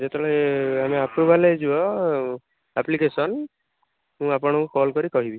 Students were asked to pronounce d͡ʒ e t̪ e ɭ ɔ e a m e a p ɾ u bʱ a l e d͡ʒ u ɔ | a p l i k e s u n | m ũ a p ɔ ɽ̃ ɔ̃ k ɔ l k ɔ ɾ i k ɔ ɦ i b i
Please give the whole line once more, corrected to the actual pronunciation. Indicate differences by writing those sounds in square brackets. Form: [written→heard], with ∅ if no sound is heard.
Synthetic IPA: d͡ʒ e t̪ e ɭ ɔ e a m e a p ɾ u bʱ a l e d͡ʒ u ɔ | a p l i k e s [u→ɔ] n | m ũ a p ɔ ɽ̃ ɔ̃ k ɔ l k ɔ ɾ i k ɔ ɦ i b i